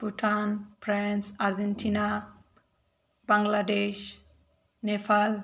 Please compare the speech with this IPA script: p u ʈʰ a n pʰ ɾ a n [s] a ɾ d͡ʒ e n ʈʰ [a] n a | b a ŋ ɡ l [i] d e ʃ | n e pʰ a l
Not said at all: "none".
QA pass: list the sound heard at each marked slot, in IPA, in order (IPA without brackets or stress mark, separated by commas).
s, i, a